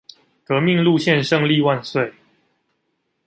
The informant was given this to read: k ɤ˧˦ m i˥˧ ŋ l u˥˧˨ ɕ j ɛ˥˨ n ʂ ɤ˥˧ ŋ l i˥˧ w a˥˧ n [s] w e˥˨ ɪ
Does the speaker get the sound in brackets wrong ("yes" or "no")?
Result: no